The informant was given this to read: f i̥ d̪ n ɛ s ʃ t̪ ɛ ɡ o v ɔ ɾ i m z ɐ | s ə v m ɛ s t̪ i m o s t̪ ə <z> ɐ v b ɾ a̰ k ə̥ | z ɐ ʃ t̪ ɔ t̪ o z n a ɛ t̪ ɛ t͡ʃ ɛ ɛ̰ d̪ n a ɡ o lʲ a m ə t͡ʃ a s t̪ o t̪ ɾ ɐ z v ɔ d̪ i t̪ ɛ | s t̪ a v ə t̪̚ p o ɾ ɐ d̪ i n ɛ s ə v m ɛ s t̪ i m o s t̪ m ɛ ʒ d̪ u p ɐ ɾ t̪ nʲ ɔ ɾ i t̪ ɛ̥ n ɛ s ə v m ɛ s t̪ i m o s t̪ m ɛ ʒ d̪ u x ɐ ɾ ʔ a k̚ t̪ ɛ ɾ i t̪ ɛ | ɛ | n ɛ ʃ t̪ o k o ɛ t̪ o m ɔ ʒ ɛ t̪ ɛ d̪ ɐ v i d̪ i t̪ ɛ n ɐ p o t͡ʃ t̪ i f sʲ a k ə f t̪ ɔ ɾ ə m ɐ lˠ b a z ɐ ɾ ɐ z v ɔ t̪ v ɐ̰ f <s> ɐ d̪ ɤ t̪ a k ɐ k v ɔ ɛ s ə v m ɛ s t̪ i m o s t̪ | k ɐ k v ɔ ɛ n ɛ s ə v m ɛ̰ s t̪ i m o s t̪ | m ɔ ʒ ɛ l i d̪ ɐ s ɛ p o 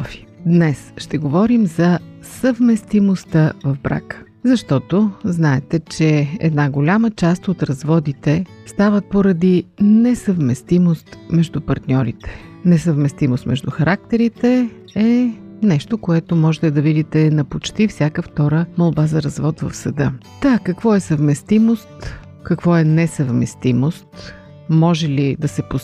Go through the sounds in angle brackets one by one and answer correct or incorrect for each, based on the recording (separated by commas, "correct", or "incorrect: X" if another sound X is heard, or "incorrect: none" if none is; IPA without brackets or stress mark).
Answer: incorrect: v, correct